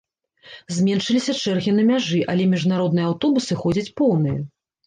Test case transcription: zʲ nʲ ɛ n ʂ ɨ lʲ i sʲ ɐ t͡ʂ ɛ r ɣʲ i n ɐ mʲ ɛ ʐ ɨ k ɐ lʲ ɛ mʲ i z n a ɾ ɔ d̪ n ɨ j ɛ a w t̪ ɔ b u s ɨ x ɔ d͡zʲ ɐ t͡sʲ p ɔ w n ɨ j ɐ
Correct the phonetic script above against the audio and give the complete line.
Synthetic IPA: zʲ mʲ ɛ n ʂ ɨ lʲ i sʲ ɐ t͡ʂ ɛ r ɣʲ i n ɐ mʲ a ʐ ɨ ʔ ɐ lʲ ɛ mʲ i ʐ n a ɾ ɔ d̪ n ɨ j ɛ a w t̪ ɔ b u s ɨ x ɔ d͡zʲ ɐ t͡sʲ p ɔ w n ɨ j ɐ